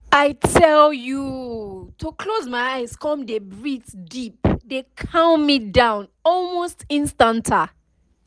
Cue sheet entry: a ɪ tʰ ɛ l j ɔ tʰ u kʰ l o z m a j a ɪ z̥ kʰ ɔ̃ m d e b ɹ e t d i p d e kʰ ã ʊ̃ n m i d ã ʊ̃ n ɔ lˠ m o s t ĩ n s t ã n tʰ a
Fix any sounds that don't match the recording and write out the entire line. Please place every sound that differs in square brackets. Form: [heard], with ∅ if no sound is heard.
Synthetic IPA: a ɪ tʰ ɛ l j [u] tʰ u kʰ l o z m a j a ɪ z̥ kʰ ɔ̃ m d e b ɹ [i] t d i p d e kʰ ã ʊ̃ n m i d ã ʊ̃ n ɔ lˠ m o s t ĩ n s t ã n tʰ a